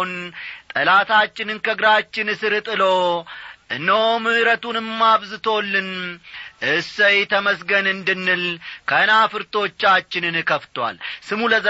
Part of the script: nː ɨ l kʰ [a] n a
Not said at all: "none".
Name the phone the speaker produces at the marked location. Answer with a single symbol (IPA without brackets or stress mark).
ə